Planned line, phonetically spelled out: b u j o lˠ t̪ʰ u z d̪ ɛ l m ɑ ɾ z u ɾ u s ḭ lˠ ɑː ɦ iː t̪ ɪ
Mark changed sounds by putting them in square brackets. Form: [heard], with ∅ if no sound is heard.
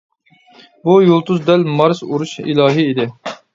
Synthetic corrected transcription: b u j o lˠ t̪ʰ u z d̪ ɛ l m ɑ ɾ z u ɾ u [ʃ] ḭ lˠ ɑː ɦ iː [d̪] ɪ